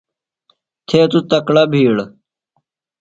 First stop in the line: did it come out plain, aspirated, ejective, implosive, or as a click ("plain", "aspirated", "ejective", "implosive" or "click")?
aspirated